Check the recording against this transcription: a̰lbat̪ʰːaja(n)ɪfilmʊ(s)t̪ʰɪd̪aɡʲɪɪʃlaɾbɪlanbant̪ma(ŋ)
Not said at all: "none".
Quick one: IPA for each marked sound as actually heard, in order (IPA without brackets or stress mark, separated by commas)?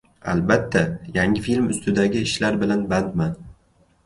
ŋ, s, n